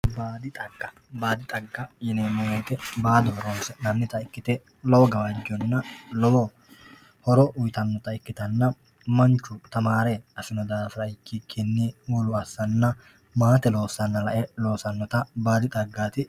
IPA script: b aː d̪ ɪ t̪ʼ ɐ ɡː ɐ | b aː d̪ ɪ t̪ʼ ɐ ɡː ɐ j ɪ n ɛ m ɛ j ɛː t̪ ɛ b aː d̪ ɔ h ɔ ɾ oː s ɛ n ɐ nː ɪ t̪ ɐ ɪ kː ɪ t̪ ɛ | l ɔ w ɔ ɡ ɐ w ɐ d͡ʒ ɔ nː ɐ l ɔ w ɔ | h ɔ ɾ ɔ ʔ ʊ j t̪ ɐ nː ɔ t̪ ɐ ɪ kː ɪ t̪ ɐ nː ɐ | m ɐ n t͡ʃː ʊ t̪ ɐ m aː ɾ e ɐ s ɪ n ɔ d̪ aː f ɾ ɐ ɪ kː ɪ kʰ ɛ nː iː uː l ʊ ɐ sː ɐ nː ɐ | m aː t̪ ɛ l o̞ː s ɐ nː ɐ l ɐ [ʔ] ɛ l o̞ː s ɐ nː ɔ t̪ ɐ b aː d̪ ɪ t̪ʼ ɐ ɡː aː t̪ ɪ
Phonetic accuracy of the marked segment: correct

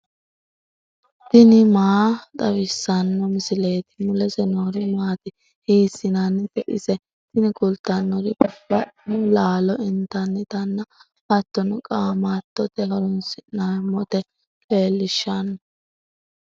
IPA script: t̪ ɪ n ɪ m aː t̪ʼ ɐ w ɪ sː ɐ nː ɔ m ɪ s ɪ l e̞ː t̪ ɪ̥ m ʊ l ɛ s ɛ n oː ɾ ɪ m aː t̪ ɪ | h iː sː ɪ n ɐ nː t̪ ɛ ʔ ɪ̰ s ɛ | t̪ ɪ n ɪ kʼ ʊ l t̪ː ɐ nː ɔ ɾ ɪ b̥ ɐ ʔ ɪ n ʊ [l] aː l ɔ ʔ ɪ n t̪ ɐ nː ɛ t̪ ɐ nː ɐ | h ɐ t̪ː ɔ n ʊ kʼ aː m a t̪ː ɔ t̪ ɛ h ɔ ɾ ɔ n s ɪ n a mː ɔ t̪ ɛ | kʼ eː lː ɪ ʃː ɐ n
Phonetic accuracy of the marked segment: correct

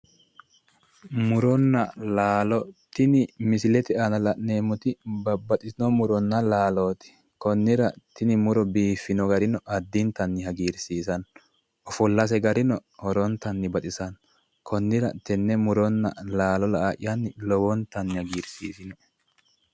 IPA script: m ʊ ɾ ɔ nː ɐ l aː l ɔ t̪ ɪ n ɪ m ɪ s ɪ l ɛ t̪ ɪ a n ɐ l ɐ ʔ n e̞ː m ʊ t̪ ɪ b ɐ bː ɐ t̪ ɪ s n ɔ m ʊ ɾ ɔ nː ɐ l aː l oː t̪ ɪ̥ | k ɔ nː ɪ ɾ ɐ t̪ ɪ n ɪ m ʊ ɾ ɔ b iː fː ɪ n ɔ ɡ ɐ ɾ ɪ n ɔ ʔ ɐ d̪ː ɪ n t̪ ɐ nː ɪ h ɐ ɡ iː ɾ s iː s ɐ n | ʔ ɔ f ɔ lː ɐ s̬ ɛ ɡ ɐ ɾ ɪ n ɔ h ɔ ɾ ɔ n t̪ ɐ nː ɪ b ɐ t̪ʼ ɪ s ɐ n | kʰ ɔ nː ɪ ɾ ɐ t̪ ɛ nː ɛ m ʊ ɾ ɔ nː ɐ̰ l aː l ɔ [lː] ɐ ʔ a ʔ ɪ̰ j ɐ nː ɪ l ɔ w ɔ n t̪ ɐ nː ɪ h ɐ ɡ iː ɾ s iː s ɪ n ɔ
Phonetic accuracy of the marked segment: incorrect: l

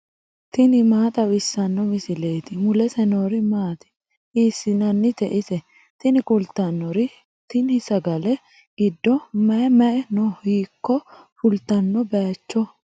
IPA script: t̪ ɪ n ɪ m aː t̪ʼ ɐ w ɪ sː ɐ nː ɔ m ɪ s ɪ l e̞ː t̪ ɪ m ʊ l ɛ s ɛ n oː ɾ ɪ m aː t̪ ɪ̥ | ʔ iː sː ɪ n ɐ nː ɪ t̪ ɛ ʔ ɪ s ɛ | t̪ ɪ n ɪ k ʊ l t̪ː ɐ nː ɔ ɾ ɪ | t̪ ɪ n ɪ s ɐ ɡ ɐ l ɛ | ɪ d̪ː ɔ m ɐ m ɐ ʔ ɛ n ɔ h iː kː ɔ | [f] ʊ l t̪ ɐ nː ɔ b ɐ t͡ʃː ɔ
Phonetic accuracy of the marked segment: correct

